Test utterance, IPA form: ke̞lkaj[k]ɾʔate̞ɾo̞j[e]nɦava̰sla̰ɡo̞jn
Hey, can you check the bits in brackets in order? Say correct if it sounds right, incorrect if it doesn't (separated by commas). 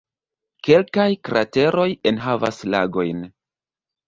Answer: correct, correct